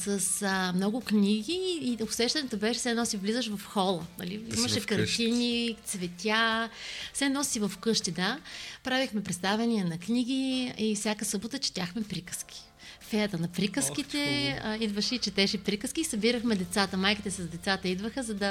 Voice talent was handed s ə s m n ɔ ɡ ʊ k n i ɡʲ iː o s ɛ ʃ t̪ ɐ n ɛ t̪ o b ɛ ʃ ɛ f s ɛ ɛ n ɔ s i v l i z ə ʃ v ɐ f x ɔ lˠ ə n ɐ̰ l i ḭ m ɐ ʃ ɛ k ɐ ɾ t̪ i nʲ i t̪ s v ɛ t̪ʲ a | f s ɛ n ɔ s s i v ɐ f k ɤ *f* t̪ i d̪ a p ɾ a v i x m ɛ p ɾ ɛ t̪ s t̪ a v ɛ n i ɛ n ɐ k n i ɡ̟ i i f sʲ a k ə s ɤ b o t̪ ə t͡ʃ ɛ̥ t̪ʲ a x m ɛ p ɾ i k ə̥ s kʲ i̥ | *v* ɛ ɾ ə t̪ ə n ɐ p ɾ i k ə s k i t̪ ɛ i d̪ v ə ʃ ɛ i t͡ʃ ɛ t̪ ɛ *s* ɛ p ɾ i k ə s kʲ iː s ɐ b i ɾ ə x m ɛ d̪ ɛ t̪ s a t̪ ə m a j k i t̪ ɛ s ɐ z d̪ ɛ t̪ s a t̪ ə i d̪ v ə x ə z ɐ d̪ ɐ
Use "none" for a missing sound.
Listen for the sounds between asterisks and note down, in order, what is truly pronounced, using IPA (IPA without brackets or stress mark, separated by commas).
ʃ, f, ʃ